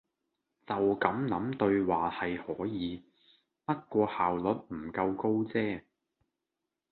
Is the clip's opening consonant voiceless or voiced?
voiceless